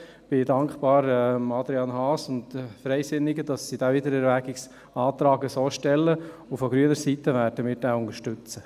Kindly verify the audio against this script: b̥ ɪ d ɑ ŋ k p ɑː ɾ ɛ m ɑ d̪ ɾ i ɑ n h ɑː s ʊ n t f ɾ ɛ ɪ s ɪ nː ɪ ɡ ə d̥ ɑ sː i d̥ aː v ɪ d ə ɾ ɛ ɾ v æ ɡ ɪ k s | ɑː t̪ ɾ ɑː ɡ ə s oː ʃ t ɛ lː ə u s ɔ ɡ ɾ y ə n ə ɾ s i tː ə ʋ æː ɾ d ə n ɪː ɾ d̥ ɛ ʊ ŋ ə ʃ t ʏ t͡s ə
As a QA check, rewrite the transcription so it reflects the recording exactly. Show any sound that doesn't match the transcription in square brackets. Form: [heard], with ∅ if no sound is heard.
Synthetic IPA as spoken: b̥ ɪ d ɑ ŋ k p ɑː ɾ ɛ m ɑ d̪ ɾ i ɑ n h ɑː s ʊ n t f ɾ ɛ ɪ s ɪ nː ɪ ɡ ə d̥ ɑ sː i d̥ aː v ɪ d ə ɾ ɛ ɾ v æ ɡ ɪ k s | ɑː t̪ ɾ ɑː ɡ ə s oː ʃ t ɛ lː ə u [f] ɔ ɡ ɾ y ə n ə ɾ s i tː ə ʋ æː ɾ d ə [m] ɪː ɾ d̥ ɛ ʊ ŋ ə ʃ t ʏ t͡s ə